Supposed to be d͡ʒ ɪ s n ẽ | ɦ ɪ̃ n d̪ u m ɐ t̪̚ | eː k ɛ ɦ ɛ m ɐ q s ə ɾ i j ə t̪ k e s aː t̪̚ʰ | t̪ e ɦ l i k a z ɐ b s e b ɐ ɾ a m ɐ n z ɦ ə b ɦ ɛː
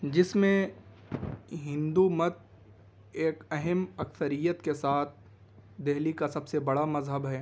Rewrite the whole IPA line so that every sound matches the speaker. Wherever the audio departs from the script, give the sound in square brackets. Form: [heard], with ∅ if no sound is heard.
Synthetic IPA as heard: d͡ʒ ɪ s [m] ẽ | ɦ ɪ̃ n d̪ u m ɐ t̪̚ | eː k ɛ ɦ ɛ m ɐ [k] s ə ɾ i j ə t̪ k e s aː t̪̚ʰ | [d̪] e ɦ l i k a [s] ɐ b s e b ɐ [ɽ] a m ɐ [∅] z ɦ ə b ɦ ɛː